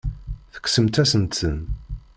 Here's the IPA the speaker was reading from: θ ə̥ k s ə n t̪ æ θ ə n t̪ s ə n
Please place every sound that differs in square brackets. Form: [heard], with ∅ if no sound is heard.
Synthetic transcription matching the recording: θ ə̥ k s ə [m] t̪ æ [s] ə n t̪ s ə n